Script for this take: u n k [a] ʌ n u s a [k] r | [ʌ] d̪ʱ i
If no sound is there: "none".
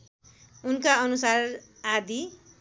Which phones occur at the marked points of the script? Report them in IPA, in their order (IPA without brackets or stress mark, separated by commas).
a, none, a